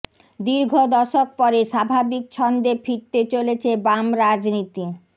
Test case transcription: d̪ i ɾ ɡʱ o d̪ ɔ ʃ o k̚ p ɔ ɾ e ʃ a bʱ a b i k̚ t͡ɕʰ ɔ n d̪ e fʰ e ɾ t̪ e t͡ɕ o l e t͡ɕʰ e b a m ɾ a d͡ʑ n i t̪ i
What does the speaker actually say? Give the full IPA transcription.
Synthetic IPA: d̪ i ɾ ɡʱ o d̪ ɔ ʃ o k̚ p ɔ ɾ e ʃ a bʱ a b i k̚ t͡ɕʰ ɔ n d̪ e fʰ i ɾ t̪ e t͡ɕ o l e t͡ɕʰ e b a m ɾ a d͡ʑ n i t̪ i